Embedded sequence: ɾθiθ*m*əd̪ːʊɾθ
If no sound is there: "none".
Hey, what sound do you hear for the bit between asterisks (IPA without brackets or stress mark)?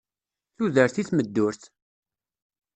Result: m